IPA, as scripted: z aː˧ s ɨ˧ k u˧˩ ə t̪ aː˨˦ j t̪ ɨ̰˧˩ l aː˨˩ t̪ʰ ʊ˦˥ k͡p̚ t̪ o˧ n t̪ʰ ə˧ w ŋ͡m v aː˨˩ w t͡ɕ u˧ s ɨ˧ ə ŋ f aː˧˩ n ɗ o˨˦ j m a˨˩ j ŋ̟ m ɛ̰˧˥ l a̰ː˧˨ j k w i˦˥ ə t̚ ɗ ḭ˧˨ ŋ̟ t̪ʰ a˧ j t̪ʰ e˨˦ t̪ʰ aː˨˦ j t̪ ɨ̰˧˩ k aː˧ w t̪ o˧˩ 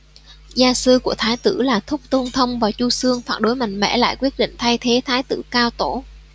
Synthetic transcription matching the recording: z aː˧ s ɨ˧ k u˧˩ ə t̪ʰ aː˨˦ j t̪ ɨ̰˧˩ l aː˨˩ t̪ʰ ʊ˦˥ k͡p̚ t̪ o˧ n t̪ʰ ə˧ w ŋ͡m v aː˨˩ w t͡ɕ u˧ s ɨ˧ ə ŋ f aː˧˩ n ɗ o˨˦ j m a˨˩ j ŋ̟ m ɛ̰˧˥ l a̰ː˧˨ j k w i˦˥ ə t̚ ɗ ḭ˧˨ ŋ̟ t̪ʰ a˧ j t̪ʰ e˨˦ t̪ʰ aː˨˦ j t̪ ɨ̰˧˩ k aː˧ w t̪ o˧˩

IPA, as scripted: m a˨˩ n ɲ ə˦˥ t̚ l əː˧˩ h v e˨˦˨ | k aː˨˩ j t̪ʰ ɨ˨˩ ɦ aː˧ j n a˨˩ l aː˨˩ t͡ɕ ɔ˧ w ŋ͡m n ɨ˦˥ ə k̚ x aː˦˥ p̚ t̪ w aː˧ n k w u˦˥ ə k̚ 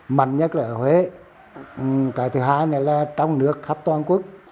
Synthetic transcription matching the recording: m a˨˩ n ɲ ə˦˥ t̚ l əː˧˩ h w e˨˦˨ | k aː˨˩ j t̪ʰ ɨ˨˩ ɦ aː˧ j n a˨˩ l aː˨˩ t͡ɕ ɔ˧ w ŋ͡m n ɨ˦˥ ə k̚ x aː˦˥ p̚ t̪ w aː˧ n k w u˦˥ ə k̚

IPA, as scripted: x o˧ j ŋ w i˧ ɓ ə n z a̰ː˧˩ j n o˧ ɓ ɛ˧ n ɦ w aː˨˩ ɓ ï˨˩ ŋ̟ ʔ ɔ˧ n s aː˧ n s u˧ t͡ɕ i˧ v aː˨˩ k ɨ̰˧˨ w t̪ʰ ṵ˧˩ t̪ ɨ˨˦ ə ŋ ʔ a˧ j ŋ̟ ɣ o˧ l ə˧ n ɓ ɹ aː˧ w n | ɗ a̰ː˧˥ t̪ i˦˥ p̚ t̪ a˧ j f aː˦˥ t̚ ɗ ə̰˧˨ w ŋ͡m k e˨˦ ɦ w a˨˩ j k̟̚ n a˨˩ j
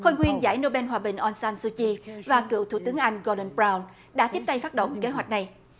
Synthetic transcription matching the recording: x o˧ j ŋ w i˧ ə n z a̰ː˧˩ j n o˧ ɓ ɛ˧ n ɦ w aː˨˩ ɓ ï˨˩ ŋ̟ ʔ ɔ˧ n s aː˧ n s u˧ t͡ɕ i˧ v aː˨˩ k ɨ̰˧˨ w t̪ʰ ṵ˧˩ t̪ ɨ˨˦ ə ŋ ʔ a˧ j ŋ̟ ɣ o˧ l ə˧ n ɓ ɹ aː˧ w n | ɗ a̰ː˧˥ t̪ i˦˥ p̚ t̪ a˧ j f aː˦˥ t̚ ɗ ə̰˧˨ w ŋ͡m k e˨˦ ɦ w a˨˩ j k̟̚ n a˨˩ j

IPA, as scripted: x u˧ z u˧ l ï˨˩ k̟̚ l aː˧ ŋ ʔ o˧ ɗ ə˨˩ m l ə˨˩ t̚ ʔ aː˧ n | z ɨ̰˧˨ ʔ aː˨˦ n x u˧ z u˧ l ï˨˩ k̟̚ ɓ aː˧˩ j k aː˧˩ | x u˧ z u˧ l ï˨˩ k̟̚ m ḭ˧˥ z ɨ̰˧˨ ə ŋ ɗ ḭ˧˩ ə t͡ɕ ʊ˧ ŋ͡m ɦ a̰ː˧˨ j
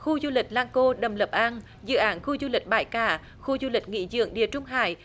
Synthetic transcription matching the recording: x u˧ z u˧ l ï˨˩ k̟̚ l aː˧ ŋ k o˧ ɗ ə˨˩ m l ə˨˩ p̚ ʔ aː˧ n | z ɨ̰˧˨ ʔ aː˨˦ n x u˧ z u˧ l ï˨˩ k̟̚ ɓ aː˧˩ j k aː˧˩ | x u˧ z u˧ l ï˨˩ k̟̚ ŋ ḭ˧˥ z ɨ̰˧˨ ə ŋ ɗ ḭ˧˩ ə t͡ɕ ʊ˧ ŋ͡m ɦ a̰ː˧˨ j

